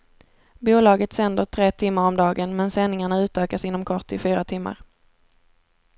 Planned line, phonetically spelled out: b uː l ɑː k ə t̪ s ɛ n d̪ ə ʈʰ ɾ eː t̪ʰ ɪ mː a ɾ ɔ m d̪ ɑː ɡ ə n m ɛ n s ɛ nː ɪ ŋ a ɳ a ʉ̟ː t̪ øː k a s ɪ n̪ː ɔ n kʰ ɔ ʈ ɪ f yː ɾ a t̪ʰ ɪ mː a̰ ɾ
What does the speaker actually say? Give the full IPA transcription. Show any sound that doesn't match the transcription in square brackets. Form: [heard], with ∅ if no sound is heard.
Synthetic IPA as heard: b uː l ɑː [ɡ] ə t̪ s ɛ n d̪ ə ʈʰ ɾ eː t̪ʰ ɪ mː a ɾ ɔ m d̪ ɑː ɡ ə n m ɛ n s ɛ nː ɪ ŋ a ɳ a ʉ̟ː t̪ øː k a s ɪ n̪ː ɔ [m] kʰ ɔ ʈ ɪ f yː ɾ a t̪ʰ ɪ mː a̰ ɾ

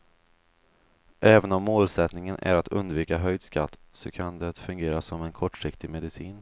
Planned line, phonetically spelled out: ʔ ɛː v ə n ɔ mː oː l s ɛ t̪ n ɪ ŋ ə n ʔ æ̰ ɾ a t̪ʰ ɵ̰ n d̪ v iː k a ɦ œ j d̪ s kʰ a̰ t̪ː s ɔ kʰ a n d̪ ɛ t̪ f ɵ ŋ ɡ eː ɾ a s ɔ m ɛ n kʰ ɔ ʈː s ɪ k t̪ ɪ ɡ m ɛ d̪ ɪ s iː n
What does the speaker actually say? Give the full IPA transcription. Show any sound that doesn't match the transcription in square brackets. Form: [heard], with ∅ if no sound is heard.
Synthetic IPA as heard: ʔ ɛː v ə n ɔ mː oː l s ɛ t̪ n ɪ ŋ ə n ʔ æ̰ ɾ a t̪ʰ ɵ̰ n d̪ v iː k a ɦ œ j d̪ s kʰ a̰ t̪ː s ɔ kʰ a n d̪ ɛ t̪ f ɵ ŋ ɡ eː ɾ a s ɔ m ɛ n kʰ ɔ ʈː [ʂ] ɪ k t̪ ɪ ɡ m ɛ d̪ ɪ s iː n

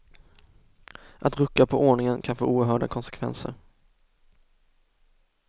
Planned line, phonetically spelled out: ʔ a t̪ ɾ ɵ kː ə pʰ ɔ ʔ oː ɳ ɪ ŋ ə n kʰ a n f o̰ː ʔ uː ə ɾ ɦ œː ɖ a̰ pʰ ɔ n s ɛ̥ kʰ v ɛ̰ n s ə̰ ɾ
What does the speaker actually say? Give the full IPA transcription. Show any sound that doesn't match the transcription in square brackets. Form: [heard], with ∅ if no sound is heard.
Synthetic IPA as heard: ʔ a t̪ ɾ ɵ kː [a] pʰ ɔ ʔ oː ɳ ɪ ŋ ə n kʰ a n f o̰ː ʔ uː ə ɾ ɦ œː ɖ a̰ [kʰ] ɔ n s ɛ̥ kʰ v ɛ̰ n s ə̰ ɾ

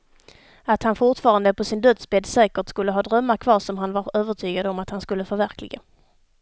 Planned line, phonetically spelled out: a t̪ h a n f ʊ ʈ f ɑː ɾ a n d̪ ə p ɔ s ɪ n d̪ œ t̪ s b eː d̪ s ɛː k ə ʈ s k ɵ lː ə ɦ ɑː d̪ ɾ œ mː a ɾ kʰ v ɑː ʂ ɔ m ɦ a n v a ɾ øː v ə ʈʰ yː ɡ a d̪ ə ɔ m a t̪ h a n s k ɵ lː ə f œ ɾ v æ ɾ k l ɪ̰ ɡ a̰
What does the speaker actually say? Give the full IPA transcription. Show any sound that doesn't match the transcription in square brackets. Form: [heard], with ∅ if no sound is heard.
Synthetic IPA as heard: a t̪ h a n f ʊ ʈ f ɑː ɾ a n d̪ ə p ɔ s ɪ n d̪ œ t̪ s b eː d̪ s ɛː k ə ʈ s k ɵ lː ə ɦ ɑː d̪ ɾ œ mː a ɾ kʰ v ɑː ʂ ɔ m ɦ a n v a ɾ øː v ə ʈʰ yː ɡ a d̪ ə ɔ m a t̪ h a n s k ɵ lː ə f œ ɾ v æ ɾ k l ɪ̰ ɡ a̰

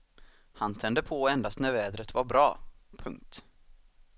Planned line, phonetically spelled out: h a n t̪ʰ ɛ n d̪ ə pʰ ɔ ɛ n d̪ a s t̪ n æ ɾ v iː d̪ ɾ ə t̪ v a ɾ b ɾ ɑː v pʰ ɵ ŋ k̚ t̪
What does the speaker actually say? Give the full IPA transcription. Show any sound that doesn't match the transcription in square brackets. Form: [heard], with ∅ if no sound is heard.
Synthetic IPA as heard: h a n t̪ʰ ɛ n d̪ ə pʰ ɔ ɛ n d̪ a s t̪ n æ ɾ v [ɛː] d̪ ɾ ə t̪ v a ɾ b ɾ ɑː [∅] pʰ ɵ ŋ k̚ t̪

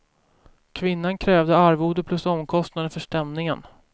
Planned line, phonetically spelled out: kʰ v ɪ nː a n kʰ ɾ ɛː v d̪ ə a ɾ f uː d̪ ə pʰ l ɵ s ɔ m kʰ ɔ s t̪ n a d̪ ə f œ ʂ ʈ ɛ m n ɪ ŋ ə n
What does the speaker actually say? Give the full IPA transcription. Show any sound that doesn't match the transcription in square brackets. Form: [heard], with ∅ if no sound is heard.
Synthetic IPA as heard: kʰ v ɪ nː a n kʰ ɾ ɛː v d̪ ə a ɾ [v] uː d̪ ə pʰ l ɵ s ɔ m kʰ ɔ s t̪ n a d̪ ə f œ ʂ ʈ ɛ m n ɪ ŋ ə n

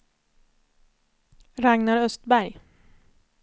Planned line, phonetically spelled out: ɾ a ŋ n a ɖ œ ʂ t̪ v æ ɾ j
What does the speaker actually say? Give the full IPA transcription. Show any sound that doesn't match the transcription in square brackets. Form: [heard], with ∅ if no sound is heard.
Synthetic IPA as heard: ɾ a ŋ n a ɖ œ [s] t̪ [b] æ ɾ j

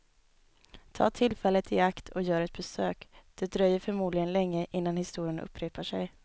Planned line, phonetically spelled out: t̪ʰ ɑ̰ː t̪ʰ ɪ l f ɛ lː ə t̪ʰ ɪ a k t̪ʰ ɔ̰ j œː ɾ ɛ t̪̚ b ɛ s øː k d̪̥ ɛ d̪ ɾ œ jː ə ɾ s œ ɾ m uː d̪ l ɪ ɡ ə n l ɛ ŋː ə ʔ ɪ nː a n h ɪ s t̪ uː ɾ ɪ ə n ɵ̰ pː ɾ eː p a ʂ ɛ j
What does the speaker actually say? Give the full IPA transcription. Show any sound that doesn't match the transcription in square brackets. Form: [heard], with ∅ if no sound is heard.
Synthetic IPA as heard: t̪ʰ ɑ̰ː t̪ʰ ɪ l f ɛ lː ə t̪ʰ ɪ a k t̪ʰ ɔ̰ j œː ɾ ɛ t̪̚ b ɛ s øː k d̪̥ ɛ d̪ ɾ œ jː ə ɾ [f] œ ɾ m uː d̪ l ɪ ɡ ə n l ɛ ŋː ə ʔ ɪ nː a n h ɪ s t̪ uː ɾ ɪ ə n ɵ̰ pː ɾ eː p a ʂ ɛ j

